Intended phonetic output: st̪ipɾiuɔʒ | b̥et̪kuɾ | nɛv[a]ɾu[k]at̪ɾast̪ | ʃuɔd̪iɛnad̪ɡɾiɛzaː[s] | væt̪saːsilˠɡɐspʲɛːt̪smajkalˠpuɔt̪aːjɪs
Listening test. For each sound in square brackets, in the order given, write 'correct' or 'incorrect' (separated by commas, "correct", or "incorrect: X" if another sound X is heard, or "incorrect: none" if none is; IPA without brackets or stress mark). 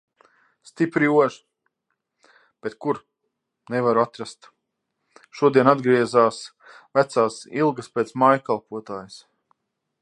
correct, incorrect: none, correct